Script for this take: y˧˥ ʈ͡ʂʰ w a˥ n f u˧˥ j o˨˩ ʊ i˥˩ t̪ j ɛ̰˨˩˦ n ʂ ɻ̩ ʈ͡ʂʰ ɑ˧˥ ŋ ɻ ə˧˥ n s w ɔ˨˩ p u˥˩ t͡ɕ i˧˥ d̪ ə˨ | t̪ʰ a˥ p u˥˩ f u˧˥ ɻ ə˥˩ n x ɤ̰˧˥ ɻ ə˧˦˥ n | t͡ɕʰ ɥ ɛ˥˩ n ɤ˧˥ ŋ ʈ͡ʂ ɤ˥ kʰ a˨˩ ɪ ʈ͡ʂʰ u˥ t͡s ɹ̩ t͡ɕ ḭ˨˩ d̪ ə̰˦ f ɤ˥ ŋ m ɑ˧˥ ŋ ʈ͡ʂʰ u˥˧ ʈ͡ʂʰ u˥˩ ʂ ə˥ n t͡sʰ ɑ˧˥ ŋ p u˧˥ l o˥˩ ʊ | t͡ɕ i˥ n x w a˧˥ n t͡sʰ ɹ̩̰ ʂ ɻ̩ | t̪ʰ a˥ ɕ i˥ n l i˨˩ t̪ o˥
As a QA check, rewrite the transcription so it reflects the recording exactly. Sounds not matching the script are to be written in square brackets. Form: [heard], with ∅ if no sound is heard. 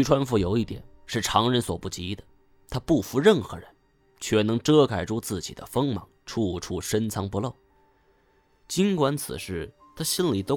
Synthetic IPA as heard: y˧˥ ʈ͡ʂʰ w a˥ n f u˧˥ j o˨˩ ʊ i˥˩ t̪ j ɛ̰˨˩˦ n ʂ ɻ̩ ʈ͡ʂʰ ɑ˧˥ ŋ ɻ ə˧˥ n s w ɔ˨˩ p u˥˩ t͡ɕ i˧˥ d̪ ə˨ | t̪ʰ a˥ p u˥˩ f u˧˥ ɻ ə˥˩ n x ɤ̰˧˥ ɻ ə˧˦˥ n | t͡ɕʰ ɥ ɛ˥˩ n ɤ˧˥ ŋ ʈ͡ʂ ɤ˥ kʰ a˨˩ ɪ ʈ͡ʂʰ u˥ t͡s ɹ̩ t͡ɕ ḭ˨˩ d̪ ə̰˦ f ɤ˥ ŋ m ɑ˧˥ ŋ ʈ͡ʂʰ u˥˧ ʈ͡ʂʰ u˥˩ ʂ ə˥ n t͡sʰ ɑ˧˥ ŋ p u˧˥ l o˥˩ ʊ | t͡ɕ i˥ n [k] w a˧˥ n t͡sʰ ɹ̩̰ ʂ ɻ̩ | t̪ʰ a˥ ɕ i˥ n l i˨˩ t̪ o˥